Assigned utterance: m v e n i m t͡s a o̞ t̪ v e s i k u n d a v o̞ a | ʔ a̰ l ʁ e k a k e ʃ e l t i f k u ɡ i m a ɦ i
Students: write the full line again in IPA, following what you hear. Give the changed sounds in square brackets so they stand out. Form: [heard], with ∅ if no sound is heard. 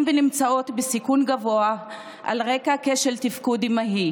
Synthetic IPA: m v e n i m t͡s a o̞ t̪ [b] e s i k u n [ɡ] a v o̞ a | ʔ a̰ l ʁ e k a k e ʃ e l t i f k u [d] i m a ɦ i